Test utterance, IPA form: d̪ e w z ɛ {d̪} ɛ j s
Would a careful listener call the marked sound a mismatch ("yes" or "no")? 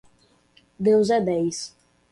no